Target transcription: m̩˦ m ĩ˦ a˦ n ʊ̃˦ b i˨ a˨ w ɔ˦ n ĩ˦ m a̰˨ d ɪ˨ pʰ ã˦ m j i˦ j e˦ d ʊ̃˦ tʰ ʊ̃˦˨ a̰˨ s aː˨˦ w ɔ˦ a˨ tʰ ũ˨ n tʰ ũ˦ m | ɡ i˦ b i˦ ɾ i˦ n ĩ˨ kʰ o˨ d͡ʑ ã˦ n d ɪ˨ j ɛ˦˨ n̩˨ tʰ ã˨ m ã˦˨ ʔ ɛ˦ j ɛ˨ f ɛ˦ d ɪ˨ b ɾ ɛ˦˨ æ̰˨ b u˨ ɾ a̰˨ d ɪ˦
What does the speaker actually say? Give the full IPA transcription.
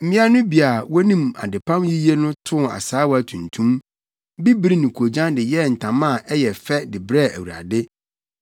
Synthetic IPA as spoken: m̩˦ m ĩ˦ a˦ n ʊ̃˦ b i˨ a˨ w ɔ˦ n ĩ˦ m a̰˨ d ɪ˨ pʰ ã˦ m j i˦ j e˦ n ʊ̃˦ tʰ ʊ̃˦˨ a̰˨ s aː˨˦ w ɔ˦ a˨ tʰ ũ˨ n tʰ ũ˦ m | b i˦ b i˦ ɾ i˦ n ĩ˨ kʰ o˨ d͡ʑ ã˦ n d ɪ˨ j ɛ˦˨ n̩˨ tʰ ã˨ m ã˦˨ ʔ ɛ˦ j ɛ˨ f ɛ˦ d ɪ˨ b ɾ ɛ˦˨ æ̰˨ w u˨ ɾ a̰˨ d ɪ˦